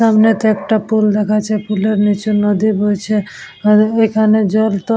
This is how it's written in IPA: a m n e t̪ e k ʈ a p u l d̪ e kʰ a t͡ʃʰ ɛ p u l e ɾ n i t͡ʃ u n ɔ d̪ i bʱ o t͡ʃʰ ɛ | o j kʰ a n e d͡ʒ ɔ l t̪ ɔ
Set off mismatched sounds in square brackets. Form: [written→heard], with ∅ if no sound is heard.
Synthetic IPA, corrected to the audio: a m n e t̪ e k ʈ a p u l d̪ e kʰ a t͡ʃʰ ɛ p u l e ɾ n i t͡ʃ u n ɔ d̪ i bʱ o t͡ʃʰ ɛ | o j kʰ a n e d͡ʒ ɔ l t̪ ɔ